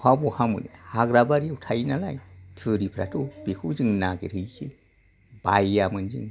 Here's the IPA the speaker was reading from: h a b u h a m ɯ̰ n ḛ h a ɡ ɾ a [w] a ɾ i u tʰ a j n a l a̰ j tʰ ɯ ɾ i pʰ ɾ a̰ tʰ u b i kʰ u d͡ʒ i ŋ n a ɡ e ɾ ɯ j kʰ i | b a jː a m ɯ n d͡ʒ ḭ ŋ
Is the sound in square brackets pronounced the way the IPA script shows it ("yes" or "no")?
no